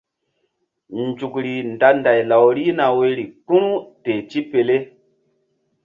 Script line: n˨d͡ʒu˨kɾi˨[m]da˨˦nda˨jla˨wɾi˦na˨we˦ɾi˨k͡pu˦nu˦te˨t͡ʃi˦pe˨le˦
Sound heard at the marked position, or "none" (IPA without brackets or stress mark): n